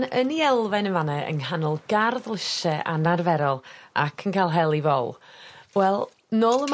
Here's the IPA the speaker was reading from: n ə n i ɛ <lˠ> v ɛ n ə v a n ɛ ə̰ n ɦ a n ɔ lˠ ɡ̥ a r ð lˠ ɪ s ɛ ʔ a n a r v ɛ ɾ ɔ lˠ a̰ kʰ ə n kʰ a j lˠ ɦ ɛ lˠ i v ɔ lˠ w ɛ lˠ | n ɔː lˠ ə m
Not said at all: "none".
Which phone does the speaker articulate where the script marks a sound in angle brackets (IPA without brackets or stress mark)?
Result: lˠ